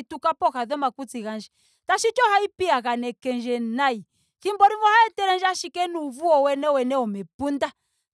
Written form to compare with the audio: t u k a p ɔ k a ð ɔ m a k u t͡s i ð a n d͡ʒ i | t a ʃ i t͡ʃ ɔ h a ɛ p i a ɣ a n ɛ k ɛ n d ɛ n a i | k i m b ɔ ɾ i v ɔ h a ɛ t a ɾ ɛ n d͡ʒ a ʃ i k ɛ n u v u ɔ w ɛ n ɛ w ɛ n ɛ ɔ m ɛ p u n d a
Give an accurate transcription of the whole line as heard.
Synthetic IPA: t u k a p ɔ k a ð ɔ m a k u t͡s i ɣ a n d͡ʒ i | t a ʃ i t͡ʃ ɔ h a i p i a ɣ a n ɛ k ɛ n d͡ʒ ɛ n a i | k i m b ɔ ɾ i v ɔ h a ɛ t ɛ ɾ ɛ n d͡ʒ a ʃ i k ɛ n u v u ɔ w ɛ n ɛ w ɛ n ɛ ɔ m ɛ p u n d a

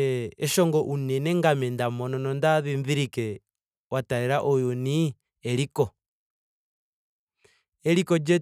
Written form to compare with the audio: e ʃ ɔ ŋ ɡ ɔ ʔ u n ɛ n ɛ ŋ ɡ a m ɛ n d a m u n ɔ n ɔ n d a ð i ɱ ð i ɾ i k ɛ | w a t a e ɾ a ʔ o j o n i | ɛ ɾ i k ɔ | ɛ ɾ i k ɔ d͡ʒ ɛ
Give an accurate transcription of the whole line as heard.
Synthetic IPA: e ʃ ɔ ŋ ɡ ɔ ʔ u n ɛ n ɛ ŋ ɡ a m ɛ n d a m ɔ n ɔ n ɔ n d a ð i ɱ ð i ɾ i k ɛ | w a t a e ɾ a ʔ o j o n i | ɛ ɾ i k ɔ | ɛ ɾ i k ɔ d͡ʒ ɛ

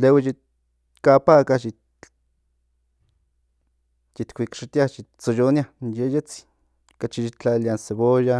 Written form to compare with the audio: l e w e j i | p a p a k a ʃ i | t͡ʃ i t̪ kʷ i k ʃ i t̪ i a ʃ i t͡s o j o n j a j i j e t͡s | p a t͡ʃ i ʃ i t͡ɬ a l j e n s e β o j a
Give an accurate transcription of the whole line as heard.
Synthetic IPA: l e w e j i | k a p a k a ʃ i | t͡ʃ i t̪ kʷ i k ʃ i t̪ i a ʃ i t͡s o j o n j a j e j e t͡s | k a t͡ʃ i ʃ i t͡ɬ a l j a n s e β o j a

